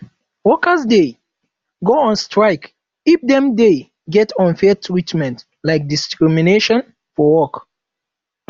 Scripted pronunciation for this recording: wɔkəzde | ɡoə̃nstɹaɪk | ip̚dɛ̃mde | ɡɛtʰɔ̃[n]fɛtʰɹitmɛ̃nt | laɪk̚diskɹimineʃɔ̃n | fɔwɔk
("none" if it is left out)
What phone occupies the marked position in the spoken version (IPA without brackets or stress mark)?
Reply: n